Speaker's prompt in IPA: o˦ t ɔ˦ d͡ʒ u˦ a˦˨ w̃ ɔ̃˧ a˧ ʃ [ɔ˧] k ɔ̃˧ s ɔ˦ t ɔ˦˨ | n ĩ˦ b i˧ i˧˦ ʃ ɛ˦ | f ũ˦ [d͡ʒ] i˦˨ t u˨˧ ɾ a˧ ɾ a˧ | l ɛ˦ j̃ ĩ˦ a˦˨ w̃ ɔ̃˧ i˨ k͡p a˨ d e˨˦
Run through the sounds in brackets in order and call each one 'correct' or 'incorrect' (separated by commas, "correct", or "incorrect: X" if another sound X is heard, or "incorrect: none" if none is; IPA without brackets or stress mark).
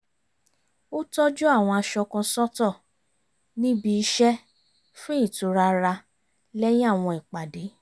correct, incorrect: none